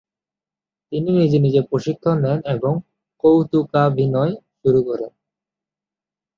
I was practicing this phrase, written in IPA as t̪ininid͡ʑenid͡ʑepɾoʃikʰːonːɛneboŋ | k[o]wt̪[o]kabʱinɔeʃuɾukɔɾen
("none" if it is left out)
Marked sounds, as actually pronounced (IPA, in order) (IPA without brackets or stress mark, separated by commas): o, u